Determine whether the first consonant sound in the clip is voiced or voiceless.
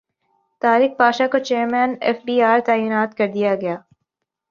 voiceless